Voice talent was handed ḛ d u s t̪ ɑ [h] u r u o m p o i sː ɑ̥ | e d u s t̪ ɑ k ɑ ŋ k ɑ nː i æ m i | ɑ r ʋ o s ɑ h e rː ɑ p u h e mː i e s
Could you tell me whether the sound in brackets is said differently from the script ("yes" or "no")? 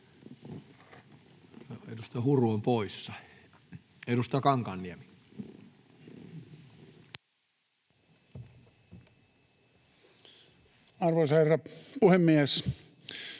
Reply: no